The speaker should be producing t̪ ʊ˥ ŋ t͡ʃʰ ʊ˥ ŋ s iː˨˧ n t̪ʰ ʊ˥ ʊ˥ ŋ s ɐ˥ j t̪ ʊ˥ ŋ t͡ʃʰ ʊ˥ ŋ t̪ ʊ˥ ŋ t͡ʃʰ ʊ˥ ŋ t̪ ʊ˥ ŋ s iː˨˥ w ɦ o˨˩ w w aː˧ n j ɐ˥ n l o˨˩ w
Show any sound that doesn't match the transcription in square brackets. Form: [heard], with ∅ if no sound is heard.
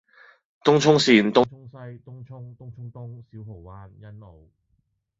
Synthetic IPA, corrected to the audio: t̪ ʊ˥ ŋ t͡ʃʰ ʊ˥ ŋ s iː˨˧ n [t̪] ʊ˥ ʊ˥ ŋ s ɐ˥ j t̪ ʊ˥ ŋ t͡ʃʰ ʊ˥ ŋ t̪ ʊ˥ ŋ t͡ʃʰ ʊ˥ ŋ t̪ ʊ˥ ŋ s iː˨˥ w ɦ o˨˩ w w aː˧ n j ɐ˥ n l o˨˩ w

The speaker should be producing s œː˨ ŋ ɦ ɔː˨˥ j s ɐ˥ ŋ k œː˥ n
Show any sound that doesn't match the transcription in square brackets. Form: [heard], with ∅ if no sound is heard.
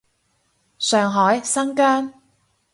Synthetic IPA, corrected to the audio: s œː˨ ŋ ɦ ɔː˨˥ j s ɐ˥ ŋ k œː˥ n

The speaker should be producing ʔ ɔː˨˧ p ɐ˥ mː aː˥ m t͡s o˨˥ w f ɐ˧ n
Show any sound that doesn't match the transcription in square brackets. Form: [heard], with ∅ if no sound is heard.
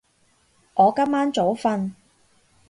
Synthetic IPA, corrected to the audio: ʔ ɔː˨˧ [k] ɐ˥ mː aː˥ [n] t͡s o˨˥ w f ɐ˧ n

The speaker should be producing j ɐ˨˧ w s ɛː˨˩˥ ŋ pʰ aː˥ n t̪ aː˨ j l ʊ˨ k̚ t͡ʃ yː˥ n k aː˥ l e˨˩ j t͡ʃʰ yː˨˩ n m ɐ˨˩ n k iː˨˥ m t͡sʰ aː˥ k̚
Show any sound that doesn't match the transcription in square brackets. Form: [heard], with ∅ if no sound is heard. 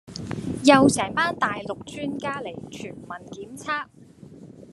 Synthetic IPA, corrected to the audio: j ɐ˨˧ w s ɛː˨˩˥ ŋ [p] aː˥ n t̪ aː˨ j l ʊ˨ k̚ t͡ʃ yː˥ n k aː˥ l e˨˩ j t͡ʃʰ yː˨˩ n m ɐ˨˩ n k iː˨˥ m t͡sʰ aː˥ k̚

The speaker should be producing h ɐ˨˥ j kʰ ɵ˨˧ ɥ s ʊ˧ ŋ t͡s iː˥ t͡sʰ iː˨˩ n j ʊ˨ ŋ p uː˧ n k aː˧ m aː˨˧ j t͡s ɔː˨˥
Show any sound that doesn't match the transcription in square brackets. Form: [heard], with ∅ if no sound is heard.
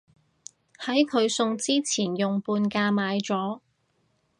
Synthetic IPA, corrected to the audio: h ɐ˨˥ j kʰ ɵ˨˧ ɥ s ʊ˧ ŋ t͡s iː˥ t͡sʰ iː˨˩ n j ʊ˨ ŋ p uː˧ n k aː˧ m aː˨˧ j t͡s ɔː˨˥

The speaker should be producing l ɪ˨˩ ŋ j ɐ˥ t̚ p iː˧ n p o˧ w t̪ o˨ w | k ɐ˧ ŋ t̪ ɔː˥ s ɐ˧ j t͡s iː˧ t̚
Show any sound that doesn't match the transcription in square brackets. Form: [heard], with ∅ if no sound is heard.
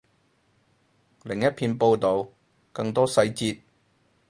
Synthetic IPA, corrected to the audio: l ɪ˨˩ ŋ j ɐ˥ t̚ [pʰ] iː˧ n p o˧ w t̪ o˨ w | k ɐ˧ ŋ t̪ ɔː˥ s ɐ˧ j t͡s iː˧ t̚

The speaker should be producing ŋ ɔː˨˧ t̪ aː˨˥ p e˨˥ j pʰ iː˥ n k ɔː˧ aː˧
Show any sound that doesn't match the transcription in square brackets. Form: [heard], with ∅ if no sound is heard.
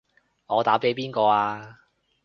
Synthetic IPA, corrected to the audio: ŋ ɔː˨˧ t̪ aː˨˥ p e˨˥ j [p] iː˥ n k ɔː˧ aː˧

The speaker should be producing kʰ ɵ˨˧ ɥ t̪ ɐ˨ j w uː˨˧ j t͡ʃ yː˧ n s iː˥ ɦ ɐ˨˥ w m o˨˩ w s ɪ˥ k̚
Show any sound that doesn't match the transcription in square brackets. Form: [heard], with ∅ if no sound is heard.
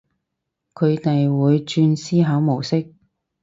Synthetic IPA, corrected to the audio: kʰ ɵ˨˧ ɥ t̪ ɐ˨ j w uː˨˧ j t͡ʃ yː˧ n s iː˥ ɦ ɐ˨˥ w m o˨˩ w s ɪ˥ k̚

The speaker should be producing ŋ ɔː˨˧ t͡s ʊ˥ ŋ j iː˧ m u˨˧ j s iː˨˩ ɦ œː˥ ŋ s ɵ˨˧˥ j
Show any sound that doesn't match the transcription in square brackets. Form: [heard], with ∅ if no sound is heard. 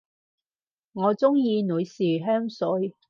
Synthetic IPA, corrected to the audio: ŋ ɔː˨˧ t͡s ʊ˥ ŋ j iː˧ [n] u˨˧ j s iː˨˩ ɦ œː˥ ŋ s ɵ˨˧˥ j

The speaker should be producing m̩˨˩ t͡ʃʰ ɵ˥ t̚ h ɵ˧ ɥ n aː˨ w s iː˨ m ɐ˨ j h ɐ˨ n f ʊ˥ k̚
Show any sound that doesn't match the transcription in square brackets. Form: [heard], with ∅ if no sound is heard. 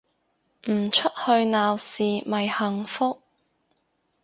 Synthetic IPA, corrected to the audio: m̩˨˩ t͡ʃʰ ɵ˥ t̚ h ɵ˧ ɥ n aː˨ w s iː˨ m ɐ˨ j h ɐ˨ [ŋ] f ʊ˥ k̚

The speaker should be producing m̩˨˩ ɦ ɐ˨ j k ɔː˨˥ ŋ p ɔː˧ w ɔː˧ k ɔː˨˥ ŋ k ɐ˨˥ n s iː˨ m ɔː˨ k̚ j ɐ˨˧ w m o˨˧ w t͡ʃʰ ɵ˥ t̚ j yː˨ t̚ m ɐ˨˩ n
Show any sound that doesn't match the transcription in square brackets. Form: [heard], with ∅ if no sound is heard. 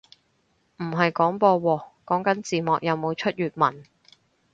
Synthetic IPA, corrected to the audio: m̩˨˩ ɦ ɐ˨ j k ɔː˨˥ ŋ p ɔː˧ w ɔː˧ k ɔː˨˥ ŋ k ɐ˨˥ n [t͡s] iː˨ m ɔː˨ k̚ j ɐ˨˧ w m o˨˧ w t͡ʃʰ ɵ˥ t̚ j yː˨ t̚ m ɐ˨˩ n

